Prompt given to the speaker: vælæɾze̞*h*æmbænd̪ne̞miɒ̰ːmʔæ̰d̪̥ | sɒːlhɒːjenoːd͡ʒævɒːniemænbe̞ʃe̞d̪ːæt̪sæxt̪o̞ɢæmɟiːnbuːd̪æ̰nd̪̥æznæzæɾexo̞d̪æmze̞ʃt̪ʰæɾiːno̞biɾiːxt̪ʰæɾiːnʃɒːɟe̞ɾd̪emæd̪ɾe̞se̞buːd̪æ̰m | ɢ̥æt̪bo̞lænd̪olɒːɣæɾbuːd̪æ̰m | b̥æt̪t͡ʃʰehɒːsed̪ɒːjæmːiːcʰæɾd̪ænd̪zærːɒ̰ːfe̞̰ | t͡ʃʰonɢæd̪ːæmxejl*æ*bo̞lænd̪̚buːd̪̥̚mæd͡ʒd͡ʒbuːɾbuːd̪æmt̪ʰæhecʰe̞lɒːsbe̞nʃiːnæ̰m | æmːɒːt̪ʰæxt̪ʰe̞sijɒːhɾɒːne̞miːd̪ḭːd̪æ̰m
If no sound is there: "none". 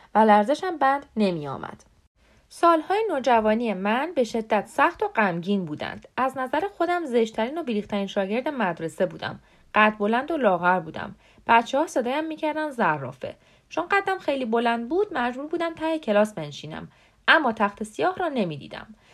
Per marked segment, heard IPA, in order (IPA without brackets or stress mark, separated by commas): ʃ, i